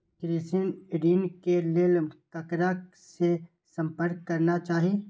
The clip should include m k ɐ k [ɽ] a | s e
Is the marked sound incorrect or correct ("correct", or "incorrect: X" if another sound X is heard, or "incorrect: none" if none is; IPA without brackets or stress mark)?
incorrect: ɾ